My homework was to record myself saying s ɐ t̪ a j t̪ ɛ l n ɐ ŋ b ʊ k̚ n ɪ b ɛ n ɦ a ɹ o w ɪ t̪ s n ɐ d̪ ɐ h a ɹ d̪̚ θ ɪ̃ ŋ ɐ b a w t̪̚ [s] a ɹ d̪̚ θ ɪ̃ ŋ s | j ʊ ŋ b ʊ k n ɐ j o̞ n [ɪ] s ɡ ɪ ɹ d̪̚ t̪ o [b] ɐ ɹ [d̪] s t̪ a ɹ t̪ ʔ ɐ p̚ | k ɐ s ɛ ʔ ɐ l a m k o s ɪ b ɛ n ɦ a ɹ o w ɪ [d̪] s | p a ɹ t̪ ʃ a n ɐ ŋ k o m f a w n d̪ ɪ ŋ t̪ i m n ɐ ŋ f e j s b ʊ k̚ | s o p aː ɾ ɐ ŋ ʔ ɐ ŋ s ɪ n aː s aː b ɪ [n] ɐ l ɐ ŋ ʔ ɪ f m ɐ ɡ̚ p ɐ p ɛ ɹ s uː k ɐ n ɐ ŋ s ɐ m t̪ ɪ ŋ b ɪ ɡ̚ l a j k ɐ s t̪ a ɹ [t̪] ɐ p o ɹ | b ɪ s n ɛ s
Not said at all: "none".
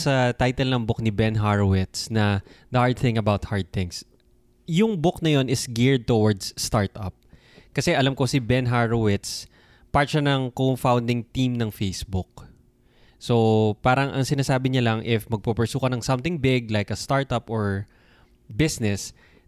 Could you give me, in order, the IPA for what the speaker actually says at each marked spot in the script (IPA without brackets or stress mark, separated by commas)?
h, ɪ, w, d̪, t̪, ɲ, t̪